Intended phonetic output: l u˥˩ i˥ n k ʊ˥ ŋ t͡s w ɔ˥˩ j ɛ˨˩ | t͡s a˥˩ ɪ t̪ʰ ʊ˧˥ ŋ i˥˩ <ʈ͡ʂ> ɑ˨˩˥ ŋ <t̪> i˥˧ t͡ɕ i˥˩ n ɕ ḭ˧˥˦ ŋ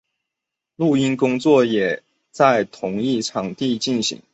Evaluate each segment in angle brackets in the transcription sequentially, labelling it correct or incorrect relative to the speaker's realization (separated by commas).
incorrect, correct